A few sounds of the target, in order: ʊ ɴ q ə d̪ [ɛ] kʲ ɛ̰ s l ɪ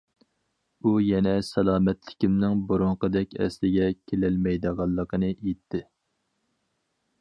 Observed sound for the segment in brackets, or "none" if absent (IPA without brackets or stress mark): ɛ